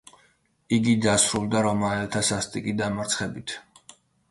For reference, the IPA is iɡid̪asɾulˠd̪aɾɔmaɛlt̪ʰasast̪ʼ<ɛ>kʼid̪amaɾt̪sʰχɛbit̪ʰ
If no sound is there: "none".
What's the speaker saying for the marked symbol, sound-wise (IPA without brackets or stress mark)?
i